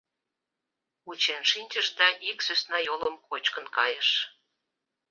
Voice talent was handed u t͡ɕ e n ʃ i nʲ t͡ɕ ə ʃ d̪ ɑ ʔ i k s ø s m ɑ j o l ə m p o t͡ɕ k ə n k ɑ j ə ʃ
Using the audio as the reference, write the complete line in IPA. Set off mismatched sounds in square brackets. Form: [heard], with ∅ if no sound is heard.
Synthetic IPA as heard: u t͡ɕ e n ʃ i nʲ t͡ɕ ə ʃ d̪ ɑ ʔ i k s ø s [n] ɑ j o l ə m [k] o t͡ɕ k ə n k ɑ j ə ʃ